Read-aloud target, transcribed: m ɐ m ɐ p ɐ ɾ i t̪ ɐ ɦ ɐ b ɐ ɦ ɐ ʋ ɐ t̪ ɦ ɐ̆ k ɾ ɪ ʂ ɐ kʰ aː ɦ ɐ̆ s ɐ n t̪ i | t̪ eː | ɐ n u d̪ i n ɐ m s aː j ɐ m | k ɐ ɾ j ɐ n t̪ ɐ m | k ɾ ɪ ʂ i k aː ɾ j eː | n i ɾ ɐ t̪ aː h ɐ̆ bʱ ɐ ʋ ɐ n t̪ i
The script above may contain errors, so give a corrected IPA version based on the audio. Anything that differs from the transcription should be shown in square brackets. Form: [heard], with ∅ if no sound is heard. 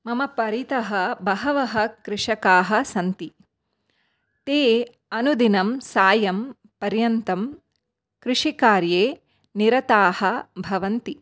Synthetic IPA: m ɐ m ɐ p ɐ ɾ i t̪ ɐ ɦ ɐ b ɐ ɦ ɐ ʋ ɐ [∅] ɦ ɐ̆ k ɾ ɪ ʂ ɐ [k] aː ɦ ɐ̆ s ɐ n t̪ i | t̪ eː | ɐ n u d̪ i n ɐ m s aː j ɐ m | [p] ɐ ɾ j ɐ n t̪ ɐ m | k ɾ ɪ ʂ i k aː ɾ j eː | n i ɾ ɐ t̪ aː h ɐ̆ bʱ ɐ ʋ ɐ n t̪ i